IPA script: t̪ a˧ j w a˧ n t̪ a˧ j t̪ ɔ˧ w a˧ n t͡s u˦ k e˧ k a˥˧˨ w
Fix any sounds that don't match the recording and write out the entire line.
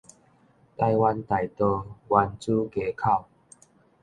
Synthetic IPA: t̪ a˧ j w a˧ n t̪ a˨˩ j t̪ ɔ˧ w a˧ n t͡s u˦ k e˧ kʰ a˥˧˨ w